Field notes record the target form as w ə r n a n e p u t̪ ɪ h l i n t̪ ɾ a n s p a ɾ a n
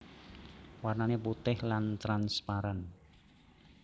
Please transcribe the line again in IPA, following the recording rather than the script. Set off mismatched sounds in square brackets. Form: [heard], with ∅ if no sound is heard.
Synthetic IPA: w [a] r n a n e p u t̪ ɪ h l [a] n t̪ ɾ a n s p a ɾ a n